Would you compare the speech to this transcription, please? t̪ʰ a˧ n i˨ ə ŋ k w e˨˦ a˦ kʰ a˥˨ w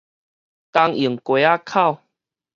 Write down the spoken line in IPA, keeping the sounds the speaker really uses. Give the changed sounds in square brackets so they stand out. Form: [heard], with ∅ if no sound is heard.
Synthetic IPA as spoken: [t̪] a˧ [ŋ] i˨ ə ŋ k w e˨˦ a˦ kʰ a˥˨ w